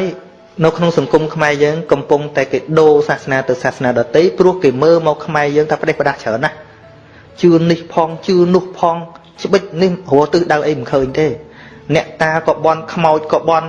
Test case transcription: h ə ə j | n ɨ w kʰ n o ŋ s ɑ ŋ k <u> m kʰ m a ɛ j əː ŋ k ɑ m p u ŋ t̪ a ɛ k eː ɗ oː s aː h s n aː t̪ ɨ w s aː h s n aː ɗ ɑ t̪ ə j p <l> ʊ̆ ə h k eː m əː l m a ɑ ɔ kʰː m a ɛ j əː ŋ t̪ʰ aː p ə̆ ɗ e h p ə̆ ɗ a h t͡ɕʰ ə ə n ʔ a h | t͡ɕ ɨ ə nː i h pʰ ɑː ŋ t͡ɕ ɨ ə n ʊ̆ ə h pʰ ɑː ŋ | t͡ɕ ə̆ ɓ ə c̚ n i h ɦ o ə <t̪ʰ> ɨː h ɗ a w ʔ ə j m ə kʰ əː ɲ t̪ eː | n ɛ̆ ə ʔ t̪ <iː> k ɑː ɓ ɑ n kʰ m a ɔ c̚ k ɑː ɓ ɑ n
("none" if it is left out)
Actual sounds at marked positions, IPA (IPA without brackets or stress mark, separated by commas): u, r, t̪, aː